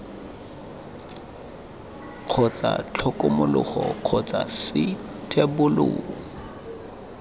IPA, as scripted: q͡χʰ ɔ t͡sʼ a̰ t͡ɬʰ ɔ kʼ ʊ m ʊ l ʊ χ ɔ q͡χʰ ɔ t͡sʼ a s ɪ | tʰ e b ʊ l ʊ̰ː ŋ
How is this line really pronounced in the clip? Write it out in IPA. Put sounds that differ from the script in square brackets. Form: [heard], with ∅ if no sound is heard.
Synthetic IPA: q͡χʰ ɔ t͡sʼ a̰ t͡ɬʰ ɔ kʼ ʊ m ʊ l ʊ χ ɔ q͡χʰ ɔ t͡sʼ a s ɪ | tʰ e b ʊ l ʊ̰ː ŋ